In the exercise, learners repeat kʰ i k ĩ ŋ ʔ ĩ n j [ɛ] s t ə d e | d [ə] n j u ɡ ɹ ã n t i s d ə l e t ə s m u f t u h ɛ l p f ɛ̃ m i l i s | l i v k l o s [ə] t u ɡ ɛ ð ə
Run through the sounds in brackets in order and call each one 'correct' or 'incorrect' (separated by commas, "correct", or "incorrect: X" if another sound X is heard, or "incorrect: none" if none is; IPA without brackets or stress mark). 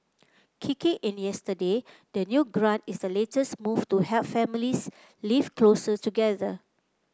correct, correct, correct